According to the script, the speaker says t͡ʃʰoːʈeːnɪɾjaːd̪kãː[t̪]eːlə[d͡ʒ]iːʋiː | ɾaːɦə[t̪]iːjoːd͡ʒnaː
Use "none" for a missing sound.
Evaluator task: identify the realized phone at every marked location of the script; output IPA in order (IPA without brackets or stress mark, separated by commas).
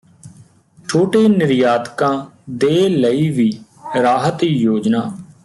d̪, none, t̪